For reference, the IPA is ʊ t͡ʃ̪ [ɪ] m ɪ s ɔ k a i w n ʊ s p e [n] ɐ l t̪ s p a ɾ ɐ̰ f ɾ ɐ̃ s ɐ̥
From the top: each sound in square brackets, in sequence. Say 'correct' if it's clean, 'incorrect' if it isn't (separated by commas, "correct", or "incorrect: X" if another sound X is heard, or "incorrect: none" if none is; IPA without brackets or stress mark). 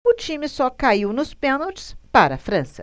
incorrect: i, correct